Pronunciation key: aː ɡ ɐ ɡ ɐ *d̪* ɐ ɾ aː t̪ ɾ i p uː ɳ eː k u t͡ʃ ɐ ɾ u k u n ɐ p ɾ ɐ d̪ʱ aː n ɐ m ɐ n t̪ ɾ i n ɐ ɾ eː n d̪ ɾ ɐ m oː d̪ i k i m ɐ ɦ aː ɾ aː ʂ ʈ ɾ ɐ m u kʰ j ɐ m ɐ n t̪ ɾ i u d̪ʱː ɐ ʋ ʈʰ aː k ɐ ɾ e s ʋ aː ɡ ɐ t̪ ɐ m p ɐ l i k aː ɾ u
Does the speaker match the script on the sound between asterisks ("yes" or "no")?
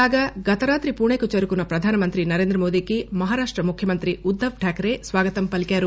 no